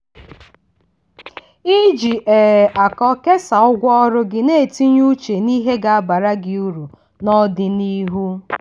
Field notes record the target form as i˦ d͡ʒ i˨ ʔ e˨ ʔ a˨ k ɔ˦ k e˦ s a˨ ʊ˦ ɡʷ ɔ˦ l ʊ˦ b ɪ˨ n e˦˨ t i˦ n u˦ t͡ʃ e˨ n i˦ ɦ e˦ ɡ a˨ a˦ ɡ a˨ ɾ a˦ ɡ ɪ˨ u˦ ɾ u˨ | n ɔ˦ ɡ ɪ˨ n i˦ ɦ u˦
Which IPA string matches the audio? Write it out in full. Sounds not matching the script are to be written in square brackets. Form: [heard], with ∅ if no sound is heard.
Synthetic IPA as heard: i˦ d͡ʒ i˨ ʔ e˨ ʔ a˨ k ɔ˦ k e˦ s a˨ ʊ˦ ɡʷ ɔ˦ [ɾ] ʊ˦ [ɡ] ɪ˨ n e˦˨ t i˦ [ɲ] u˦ t͡ʃ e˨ n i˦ ɦ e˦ ɡ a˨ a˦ [b] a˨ ɾ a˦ ɡ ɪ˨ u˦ ɾ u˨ | n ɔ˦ [d] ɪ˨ n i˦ ɦ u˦